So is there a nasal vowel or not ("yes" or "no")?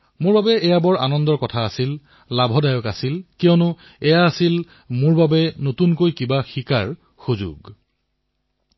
no